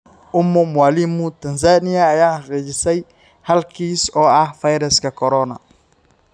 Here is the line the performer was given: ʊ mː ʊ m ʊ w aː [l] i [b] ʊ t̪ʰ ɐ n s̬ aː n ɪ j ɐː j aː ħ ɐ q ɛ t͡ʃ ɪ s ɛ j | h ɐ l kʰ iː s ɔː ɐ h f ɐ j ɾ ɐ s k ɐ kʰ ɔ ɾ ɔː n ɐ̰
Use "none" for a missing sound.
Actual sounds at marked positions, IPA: l, m

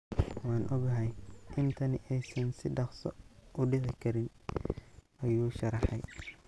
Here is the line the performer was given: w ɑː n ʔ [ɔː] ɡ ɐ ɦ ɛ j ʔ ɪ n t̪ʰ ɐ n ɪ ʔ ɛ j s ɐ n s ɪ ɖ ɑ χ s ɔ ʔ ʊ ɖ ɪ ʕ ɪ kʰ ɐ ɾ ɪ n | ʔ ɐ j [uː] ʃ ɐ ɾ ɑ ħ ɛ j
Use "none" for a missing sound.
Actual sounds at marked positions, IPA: ɔ, uː

